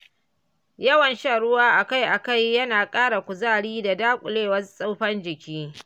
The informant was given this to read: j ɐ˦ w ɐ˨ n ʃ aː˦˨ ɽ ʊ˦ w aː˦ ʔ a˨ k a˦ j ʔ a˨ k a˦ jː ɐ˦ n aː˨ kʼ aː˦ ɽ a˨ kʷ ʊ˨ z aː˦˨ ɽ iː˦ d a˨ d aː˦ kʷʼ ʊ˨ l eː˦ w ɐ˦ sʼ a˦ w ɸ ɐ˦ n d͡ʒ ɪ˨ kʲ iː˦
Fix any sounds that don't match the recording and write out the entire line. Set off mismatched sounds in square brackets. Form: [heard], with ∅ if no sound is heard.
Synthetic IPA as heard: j ɐ˦ w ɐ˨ n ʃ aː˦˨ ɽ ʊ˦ w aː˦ ʔ a˨ k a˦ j ʔ a˨ k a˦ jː ɐ˦ n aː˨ kʼ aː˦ ɽ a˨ kʷ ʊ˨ z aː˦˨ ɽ iː˦ d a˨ d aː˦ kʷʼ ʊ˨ l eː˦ w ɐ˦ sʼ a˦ w ɸ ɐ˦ n d͡ʒ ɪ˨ kʲ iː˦